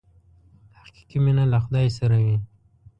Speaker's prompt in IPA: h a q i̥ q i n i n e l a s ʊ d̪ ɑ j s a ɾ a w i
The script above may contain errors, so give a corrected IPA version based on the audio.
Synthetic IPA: h a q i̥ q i m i n a l a x ʊ d̪ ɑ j s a ɾ a w i